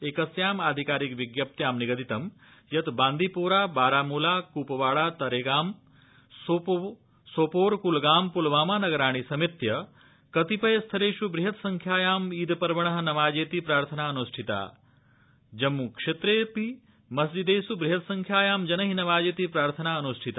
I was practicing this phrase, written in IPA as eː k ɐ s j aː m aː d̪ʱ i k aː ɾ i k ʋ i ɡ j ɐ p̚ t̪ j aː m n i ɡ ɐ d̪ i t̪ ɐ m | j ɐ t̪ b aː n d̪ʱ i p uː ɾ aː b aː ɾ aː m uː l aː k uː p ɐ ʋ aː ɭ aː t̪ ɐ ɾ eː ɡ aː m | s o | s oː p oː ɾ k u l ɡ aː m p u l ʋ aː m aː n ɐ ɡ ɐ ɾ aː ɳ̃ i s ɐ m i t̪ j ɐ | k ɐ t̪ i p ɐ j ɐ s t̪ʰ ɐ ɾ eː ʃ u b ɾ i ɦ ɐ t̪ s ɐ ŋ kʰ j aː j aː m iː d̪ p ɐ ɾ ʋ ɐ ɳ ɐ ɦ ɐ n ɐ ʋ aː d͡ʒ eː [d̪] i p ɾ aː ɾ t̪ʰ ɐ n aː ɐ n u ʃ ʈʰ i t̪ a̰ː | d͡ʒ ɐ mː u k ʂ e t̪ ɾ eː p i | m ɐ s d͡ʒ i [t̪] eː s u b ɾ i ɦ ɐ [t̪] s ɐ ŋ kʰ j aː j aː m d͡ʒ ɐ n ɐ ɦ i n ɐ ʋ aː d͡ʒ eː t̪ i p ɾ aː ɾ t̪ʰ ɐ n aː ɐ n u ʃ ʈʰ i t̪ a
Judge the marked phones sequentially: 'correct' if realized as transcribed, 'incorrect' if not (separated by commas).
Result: incorrect, incorrect, correct